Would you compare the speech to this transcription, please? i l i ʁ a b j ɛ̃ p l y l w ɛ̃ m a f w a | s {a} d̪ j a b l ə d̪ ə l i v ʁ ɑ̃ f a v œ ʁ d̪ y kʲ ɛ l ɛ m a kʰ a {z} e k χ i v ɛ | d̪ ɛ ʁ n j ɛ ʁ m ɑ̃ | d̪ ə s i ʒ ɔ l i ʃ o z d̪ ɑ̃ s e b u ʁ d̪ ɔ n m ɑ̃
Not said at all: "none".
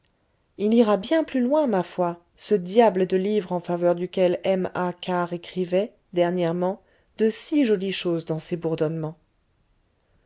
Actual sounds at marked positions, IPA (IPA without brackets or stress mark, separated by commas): ə, ʁ